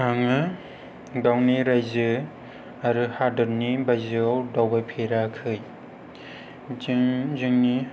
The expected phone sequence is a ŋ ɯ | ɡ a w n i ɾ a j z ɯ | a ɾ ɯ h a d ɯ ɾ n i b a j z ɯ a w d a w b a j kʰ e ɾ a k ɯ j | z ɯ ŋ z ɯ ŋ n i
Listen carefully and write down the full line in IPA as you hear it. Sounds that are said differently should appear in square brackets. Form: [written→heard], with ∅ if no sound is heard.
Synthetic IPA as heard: a ŋ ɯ | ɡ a w n i ɾ a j z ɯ | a ɾ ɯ h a d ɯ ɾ n i b a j z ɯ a w d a w b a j [kʰ→pʰ] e ɾ a [k→kʰ] ɯ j | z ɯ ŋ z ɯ ŋ n i